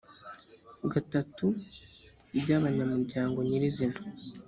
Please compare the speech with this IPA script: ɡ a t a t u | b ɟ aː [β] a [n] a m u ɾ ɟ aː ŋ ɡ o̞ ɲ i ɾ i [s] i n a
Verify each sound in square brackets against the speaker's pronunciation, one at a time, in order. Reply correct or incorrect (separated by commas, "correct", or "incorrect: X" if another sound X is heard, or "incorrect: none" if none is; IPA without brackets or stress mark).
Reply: correct, incorrect: ɲ, incorrect: z